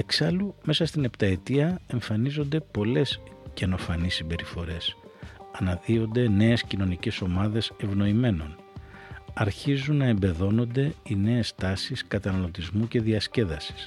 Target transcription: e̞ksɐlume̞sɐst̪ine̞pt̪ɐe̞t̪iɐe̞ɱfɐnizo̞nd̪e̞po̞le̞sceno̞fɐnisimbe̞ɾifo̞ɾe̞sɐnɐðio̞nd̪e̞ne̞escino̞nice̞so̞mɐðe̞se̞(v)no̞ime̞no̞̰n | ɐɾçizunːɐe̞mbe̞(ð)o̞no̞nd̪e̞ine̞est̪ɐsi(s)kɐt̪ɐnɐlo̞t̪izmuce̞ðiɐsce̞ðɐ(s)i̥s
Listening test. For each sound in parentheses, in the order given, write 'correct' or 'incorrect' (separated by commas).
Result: correct, correct, correct, correct